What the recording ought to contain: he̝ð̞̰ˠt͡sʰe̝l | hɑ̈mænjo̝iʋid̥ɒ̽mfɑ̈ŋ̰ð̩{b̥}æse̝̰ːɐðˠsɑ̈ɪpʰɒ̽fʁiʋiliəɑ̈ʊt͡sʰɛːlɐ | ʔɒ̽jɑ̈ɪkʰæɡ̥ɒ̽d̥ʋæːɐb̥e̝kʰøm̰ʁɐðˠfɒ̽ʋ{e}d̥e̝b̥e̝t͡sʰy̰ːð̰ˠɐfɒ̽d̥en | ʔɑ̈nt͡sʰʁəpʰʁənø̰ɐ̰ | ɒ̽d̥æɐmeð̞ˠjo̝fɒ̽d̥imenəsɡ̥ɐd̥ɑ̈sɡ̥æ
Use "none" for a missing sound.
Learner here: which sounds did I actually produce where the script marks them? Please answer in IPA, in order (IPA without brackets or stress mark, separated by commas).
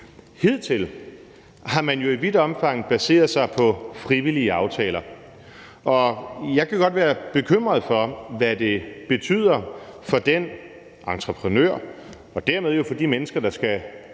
b̥, æ